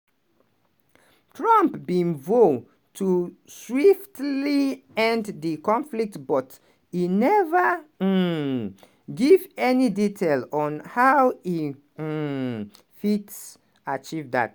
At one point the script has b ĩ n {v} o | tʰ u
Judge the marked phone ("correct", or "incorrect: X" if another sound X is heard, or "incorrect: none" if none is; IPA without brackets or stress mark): correct